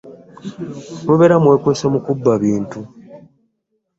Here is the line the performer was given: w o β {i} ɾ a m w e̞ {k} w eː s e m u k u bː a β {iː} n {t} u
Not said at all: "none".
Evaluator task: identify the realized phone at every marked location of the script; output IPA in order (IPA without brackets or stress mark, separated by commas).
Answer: e, k, iː, t